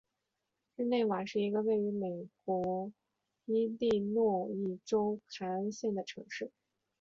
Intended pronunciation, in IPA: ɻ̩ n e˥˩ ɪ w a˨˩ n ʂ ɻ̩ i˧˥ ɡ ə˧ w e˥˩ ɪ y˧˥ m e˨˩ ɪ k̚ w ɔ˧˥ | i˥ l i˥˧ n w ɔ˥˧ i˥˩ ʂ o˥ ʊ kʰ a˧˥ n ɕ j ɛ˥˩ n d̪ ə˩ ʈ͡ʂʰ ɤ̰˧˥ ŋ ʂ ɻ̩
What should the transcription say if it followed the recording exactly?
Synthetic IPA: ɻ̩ n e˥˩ ɪ w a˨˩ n ʂ ɻ̩ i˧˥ ɡ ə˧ w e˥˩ ɪ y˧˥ m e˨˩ ɪ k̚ w ɔ˧˥ | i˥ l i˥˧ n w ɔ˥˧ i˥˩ ʈ͡ʂ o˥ ʊ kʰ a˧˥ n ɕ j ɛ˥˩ n d̪ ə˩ ʈ͡ʂʰ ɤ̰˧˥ ŋ ʂ ɻ̩